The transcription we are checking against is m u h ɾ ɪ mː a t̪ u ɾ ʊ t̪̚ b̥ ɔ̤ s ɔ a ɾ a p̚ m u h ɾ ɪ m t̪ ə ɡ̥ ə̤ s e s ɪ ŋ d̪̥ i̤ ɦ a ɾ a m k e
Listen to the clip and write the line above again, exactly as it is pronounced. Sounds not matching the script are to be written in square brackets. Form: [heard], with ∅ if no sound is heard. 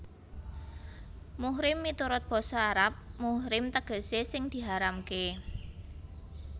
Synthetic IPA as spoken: m u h ɾ ɪ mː [i] t̪ u ɾ ʊ t̪̚ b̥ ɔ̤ s ɔ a ɾ a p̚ m u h ɾ ɪ m t̪ ə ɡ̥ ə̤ s e s ɪ ŋ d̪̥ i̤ ɦ a ɾ a m k e